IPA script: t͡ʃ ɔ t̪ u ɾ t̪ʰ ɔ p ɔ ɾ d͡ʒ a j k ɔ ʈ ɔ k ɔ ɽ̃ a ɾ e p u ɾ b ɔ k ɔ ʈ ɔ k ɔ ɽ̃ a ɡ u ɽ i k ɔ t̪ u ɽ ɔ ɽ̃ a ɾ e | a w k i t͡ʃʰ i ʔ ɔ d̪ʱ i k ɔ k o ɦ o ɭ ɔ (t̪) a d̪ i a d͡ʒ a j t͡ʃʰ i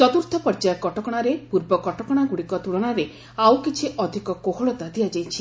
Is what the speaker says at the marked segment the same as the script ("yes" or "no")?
yes